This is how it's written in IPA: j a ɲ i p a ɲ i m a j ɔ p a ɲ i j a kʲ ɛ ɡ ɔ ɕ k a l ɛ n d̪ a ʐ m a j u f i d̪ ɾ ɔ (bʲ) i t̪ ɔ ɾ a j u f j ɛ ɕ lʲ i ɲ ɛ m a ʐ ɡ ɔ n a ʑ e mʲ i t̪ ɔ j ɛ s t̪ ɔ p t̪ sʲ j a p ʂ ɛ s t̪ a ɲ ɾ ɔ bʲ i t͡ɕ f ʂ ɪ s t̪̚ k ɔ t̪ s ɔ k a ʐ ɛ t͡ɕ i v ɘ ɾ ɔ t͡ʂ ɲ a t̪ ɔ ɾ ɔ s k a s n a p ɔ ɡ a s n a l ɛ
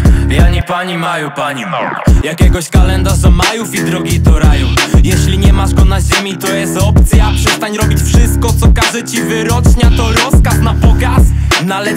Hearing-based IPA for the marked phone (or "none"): ɡʲ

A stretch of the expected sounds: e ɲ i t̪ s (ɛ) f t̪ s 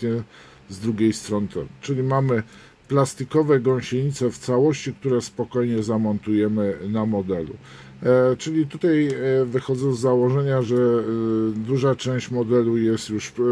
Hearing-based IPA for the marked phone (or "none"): ɛ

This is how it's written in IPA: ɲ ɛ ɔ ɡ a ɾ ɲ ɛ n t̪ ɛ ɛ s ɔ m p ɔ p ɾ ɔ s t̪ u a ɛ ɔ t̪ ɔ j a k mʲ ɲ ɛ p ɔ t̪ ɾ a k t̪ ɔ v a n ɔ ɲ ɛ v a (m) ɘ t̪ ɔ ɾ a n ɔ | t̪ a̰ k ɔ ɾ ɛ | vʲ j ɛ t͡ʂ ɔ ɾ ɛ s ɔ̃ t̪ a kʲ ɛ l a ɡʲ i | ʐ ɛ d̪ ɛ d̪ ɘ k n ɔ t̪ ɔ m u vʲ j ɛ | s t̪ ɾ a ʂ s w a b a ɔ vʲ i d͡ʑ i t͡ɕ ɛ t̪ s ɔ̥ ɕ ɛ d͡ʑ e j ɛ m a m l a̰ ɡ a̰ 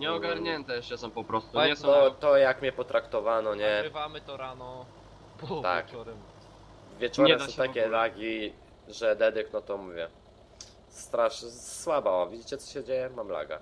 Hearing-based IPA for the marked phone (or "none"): m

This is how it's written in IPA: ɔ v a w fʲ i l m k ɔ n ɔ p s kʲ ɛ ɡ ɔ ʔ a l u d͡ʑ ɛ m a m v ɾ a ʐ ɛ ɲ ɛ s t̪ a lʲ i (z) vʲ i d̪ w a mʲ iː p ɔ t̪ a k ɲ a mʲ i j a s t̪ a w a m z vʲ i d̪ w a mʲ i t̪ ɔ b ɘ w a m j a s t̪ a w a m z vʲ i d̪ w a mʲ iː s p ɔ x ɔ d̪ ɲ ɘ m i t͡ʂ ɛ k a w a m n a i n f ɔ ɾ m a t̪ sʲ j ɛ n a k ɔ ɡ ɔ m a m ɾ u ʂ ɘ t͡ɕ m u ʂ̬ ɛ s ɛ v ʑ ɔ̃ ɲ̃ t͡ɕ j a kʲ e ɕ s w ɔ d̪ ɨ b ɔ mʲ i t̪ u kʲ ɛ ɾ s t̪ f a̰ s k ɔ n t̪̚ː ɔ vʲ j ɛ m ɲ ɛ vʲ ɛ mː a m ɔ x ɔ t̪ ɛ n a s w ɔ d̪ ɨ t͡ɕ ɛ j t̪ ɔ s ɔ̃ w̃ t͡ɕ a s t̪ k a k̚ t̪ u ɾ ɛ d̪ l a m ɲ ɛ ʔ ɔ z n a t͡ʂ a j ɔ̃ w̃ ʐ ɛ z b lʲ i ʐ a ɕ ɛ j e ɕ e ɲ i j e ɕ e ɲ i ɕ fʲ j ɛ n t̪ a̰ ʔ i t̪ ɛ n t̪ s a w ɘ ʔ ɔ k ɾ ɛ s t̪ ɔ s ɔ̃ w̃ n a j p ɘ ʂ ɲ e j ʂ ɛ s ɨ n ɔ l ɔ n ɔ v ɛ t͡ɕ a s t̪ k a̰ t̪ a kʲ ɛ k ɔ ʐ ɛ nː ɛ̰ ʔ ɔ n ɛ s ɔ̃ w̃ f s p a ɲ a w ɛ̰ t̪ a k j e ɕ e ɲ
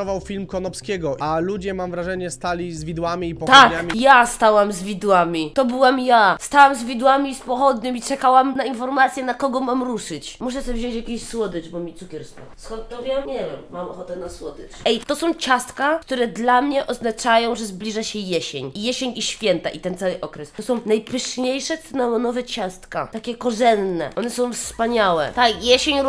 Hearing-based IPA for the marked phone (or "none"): z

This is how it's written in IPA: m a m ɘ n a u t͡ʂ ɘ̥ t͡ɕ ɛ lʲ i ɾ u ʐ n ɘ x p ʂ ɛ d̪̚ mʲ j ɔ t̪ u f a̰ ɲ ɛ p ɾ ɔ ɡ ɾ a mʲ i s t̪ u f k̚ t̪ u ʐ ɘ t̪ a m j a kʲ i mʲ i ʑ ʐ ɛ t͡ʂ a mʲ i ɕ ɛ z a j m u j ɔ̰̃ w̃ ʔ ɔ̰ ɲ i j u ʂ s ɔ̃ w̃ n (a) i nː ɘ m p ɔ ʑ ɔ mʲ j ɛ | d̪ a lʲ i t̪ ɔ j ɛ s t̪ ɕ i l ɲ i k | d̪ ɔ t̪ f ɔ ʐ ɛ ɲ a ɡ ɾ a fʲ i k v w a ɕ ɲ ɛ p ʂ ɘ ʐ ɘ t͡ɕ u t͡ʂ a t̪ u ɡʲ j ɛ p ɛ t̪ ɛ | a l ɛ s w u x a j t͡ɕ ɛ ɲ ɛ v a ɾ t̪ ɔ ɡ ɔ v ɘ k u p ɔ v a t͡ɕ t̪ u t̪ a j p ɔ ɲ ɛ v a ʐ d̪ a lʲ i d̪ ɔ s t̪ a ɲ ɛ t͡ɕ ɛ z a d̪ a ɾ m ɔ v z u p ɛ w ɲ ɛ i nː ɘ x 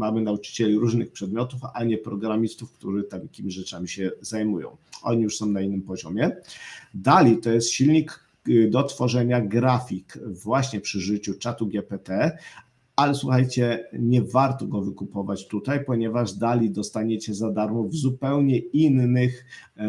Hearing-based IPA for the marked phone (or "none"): a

